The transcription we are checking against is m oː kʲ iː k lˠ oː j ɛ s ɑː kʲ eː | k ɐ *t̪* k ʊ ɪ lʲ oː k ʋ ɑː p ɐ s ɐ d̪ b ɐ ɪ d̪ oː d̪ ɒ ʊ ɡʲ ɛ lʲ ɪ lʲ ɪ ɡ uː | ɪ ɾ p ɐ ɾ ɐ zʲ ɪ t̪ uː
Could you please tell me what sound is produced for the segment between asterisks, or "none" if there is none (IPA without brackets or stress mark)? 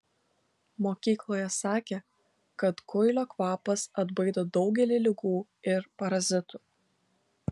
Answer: t̪